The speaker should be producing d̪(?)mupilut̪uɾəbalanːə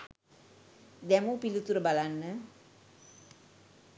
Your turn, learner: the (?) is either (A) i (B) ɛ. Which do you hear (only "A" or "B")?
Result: B